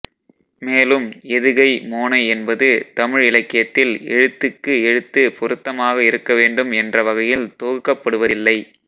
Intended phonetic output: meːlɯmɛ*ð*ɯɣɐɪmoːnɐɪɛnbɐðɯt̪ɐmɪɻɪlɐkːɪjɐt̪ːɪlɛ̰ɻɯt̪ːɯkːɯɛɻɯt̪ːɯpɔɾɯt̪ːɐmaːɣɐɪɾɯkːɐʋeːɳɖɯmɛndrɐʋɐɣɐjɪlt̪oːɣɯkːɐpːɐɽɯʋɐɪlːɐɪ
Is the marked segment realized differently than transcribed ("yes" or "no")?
no